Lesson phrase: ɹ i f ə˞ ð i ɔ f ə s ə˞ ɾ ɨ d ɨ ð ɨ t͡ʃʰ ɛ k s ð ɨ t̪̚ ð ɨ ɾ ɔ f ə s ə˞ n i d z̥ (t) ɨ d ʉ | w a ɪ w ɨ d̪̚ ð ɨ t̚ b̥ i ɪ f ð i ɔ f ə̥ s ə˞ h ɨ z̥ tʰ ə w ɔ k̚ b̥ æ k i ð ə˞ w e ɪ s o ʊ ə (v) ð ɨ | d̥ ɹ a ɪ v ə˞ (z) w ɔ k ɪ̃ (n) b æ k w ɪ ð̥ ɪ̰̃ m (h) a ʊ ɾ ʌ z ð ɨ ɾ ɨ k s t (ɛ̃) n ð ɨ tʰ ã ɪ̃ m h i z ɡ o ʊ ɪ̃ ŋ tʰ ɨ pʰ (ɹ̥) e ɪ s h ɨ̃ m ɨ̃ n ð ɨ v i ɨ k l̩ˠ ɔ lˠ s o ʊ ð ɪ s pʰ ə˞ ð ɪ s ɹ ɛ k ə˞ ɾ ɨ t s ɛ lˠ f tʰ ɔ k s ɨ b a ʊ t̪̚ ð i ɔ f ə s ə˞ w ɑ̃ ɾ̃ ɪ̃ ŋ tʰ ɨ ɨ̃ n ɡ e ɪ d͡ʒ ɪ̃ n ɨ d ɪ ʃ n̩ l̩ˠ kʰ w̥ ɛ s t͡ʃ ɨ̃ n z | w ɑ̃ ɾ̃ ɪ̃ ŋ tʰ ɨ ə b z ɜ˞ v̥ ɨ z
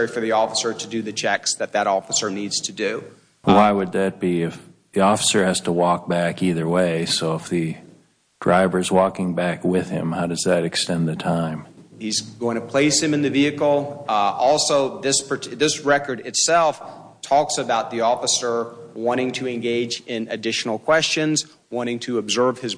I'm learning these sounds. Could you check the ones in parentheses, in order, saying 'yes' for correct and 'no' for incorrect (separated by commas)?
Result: no, no, yes, no, yes, yes, no